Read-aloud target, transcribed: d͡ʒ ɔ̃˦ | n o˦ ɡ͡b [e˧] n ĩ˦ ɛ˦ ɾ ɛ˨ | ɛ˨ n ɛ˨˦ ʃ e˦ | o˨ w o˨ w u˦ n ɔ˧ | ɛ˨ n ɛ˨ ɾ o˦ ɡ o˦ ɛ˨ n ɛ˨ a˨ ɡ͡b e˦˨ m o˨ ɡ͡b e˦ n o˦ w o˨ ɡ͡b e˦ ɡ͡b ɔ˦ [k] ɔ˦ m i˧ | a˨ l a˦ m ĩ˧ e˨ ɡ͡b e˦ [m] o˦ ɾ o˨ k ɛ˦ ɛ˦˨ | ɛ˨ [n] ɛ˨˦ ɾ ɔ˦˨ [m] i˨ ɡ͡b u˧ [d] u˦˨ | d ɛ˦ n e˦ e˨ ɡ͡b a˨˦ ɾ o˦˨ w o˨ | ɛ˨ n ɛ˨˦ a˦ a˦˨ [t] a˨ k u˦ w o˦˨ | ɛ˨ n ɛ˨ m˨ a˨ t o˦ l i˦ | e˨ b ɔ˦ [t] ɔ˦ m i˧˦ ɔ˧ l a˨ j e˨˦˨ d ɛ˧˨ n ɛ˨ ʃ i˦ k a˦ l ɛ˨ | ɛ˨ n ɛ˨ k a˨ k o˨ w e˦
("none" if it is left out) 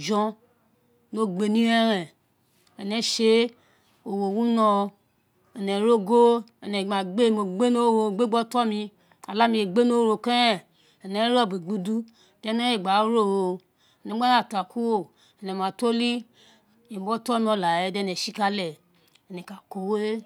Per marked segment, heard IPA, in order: e˧, t, n, n, b, d, t, t

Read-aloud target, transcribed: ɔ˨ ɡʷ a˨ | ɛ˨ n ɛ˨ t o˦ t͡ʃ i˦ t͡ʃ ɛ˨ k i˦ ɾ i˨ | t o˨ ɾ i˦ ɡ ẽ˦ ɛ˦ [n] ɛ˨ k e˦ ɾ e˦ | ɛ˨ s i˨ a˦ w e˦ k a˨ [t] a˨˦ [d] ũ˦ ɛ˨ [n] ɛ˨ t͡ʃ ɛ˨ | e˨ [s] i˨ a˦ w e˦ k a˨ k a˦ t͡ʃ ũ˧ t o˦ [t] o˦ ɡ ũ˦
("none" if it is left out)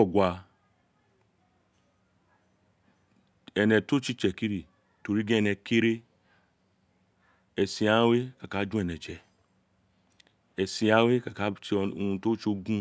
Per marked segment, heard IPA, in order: n, k, d͡ʒ, n, s, t͡ʃ

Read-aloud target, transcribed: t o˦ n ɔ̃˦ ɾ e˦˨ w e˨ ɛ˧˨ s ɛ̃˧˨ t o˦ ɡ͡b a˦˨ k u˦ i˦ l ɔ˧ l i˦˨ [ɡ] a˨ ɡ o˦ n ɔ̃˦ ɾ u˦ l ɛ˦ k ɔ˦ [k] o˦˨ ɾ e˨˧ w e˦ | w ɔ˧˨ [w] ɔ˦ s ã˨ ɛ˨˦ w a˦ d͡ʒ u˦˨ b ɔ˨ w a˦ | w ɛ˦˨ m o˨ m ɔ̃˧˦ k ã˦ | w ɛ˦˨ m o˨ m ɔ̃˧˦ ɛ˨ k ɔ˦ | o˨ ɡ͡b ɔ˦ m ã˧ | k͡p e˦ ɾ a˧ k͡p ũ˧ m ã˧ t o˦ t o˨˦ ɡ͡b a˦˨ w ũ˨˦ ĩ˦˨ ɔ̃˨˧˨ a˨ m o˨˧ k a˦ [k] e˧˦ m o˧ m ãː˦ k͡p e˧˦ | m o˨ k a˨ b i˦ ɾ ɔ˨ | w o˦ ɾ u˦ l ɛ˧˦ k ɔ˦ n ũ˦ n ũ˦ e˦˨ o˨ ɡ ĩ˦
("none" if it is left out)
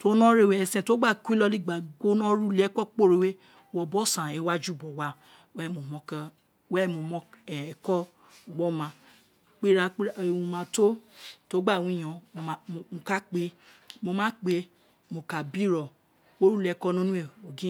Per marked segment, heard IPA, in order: ɡ͡b, k͡p, b, k͡p

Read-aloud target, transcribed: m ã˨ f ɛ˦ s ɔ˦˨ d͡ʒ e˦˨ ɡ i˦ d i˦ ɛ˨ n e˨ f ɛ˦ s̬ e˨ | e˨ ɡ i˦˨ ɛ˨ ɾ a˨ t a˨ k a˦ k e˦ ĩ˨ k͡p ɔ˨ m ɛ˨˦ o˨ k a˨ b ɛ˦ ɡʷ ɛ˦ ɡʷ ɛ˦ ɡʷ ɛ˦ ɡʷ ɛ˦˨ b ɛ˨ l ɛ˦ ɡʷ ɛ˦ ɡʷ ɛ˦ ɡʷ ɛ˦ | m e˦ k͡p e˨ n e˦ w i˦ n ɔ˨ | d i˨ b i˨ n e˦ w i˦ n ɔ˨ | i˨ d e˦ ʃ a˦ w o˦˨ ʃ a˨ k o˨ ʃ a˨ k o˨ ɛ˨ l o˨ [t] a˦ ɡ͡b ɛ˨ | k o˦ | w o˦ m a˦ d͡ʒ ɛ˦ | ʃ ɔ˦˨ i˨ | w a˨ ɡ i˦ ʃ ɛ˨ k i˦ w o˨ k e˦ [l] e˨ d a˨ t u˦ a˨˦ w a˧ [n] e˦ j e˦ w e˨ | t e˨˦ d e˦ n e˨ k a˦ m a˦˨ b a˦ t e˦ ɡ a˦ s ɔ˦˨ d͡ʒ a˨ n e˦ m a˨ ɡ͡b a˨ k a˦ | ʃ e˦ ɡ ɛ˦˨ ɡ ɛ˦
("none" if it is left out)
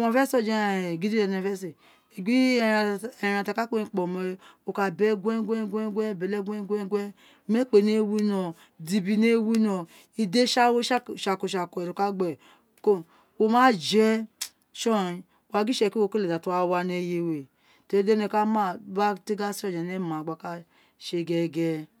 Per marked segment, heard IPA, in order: k, l, n

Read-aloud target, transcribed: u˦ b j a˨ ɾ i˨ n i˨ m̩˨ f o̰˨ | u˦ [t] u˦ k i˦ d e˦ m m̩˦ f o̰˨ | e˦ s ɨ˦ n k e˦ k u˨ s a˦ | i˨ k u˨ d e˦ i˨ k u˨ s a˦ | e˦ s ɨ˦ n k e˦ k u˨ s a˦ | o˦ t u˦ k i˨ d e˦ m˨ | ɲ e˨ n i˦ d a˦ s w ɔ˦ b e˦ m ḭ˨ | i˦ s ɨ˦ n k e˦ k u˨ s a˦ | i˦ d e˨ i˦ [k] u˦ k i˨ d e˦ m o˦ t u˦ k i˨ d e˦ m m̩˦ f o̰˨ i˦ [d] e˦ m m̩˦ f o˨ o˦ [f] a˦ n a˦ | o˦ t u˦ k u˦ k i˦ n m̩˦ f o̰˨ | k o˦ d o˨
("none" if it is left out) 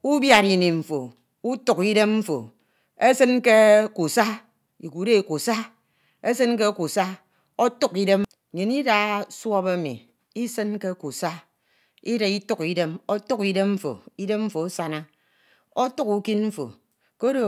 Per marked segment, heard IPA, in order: t, t, d, s

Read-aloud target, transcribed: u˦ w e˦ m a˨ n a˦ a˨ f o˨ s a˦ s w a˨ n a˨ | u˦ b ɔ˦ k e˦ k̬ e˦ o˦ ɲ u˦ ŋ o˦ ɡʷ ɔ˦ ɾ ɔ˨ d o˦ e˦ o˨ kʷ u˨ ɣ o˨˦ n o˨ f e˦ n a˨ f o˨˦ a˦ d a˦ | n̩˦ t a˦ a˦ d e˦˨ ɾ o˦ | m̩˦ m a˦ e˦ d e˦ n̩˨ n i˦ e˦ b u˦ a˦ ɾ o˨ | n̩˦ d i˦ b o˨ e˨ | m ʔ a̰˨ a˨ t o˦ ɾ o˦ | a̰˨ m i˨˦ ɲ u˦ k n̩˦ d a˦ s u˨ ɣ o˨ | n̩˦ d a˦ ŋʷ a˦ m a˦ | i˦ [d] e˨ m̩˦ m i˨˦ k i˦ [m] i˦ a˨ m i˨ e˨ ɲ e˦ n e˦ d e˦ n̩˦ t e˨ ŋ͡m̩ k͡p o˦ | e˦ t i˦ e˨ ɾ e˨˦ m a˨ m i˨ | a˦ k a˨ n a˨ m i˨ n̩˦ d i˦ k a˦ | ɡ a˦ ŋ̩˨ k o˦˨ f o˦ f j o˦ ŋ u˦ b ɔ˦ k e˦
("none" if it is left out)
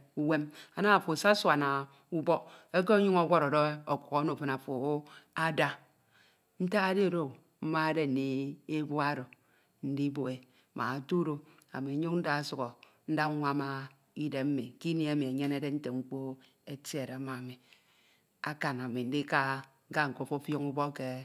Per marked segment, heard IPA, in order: d, n

